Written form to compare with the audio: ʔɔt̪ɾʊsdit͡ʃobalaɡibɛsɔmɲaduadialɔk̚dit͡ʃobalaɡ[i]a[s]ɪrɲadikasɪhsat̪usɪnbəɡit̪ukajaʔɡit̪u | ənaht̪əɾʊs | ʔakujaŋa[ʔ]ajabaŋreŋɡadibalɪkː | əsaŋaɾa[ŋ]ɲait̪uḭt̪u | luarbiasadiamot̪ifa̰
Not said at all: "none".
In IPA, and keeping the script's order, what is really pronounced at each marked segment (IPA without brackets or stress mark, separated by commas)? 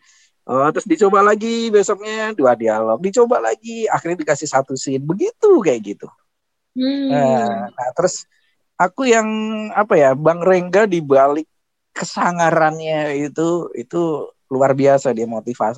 i, x, p, n